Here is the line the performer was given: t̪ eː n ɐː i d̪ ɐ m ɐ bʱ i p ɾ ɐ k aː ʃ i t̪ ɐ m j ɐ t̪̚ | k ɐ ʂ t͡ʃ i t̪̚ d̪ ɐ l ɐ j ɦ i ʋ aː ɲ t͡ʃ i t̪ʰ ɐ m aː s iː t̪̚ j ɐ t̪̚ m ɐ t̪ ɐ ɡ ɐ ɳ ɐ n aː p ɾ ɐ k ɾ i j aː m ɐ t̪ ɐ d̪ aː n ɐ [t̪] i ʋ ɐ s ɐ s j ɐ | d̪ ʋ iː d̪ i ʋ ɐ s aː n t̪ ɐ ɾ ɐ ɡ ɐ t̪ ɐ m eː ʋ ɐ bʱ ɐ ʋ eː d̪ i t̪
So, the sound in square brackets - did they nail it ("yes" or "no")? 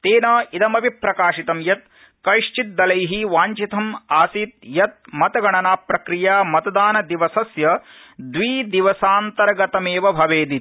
no